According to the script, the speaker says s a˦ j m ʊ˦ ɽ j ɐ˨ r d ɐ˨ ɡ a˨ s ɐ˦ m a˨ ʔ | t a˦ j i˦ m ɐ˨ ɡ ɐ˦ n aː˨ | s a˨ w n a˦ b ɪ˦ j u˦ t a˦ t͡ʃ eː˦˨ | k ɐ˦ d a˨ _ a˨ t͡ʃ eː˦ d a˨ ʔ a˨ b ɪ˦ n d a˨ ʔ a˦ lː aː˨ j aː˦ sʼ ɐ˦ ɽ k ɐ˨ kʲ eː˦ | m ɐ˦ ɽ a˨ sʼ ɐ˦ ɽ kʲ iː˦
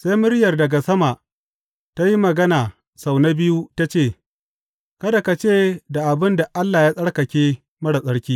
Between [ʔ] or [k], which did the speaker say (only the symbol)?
k